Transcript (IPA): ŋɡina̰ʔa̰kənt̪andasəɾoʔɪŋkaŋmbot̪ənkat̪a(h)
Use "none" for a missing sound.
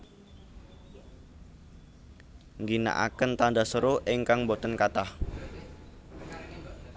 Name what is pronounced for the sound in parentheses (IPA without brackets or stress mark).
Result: h